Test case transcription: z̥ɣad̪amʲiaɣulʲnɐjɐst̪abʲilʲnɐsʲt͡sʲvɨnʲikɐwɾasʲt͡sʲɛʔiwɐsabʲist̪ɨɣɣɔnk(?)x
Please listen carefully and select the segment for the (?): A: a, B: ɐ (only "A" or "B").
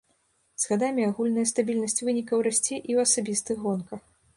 B